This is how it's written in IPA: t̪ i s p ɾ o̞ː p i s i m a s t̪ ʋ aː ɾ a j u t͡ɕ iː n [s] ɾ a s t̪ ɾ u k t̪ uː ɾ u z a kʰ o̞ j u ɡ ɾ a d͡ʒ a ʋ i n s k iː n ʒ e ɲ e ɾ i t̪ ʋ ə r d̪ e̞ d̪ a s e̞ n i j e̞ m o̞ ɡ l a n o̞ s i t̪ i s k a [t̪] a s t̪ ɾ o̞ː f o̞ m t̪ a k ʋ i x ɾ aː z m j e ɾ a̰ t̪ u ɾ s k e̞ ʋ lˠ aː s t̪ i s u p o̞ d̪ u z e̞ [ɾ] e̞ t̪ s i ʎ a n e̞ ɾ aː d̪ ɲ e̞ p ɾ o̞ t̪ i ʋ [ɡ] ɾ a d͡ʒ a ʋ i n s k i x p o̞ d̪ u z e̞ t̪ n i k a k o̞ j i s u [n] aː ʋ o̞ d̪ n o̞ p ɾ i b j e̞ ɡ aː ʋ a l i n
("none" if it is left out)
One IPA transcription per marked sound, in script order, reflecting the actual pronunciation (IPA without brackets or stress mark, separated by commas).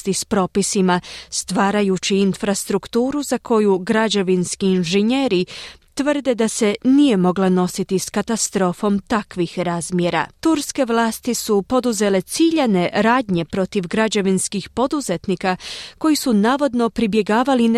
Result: f, t̪, l, ɡ, n